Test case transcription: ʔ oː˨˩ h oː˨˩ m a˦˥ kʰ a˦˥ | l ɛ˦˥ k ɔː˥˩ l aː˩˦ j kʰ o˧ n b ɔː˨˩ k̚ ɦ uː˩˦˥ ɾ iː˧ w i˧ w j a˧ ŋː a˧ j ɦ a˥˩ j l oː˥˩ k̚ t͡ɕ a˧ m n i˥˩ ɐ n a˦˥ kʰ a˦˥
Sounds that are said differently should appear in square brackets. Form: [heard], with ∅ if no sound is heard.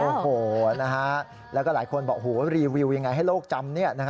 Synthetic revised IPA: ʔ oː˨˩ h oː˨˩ [n] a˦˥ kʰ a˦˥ | l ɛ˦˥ k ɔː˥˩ l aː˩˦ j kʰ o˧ n b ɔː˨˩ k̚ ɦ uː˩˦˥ ɾ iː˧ w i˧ w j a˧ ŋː a˧ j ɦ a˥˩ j l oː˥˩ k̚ t͡ɕ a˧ m n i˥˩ ɐ n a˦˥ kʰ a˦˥

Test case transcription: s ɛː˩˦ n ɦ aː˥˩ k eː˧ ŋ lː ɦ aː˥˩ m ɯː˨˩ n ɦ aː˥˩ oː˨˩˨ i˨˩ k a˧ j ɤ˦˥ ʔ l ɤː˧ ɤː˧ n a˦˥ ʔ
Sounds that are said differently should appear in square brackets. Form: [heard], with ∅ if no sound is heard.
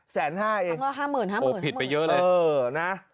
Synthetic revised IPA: s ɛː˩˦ n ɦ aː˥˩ [ʔ] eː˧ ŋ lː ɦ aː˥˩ m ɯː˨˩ n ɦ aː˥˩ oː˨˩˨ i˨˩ [p] a˧ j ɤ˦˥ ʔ l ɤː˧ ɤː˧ n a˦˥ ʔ

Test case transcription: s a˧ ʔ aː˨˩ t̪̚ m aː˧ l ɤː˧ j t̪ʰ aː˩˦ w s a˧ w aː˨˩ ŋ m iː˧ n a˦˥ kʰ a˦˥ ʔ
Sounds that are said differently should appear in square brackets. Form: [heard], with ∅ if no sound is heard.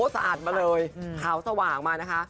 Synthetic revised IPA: s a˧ ʔ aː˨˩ t̪̚ m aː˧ l ɤː˧ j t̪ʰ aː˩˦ w s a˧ w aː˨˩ ŋ m [aː˧] n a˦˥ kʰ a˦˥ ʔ

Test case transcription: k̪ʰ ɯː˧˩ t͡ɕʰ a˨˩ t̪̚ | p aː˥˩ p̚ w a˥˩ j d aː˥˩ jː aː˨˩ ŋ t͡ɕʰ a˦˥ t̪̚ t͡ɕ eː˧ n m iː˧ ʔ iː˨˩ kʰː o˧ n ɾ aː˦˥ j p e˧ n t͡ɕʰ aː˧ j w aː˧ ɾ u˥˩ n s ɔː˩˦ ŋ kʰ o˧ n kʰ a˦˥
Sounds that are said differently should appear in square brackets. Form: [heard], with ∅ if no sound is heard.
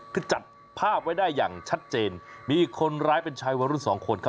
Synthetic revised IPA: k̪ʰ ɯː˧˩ [t͡ɕ] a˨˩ t̪̚ | [pʰ] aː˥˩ p̚ w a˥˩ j d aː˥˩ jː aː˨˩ ŋ t͡ɕʰ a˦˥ t̪̚ t͡ɕ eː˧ n m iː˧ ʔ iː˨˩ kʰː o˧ n ɾ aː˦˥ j p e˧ n t͡ɕʰ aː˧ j w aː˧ ɾ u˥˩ n s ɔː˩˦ ŋ kʰ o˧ n kʰ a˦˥

